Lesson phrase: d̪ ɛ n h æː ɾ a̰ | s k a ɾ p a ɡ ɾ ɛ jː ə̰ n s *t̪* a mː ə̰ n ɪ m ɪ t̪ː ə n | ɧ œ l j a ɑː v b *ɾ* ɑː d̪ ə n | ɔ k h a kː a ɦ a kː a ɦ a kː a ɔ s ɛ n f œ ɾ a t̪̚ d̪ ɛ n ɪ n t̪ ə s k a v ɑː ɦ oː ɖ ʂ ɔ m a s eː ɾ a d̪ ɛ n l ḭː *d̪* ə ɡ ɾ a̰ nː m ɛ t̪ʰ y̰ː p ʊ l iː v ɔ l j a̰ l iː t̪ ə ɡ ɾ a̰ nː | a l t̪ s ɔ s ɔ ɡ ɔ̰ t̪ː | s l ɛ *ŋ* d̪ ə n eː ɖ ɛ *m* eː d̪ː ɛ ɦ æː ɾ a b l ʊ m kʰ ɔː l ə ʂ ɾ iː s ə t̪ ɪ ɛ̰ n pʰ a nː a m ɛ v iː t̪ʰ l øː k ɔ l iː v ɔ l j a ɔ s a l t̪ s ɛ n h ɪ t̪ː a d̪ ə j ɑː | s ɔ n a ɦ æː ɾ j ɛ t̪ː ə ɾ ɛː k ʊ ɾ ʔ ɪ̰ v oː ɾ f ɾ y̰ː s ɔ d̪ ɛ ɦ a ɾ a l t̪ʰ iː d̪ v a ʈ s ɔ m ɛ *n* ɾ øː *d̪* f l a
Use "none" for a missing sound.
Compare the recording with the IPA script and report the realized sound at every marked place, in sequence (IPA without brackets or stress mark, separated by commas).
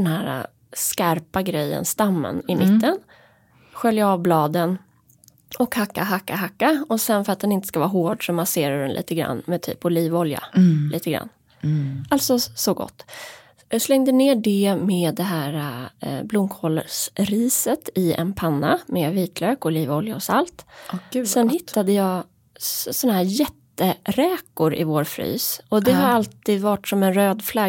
t̪, l, t̪, ŋ, m, n, d̪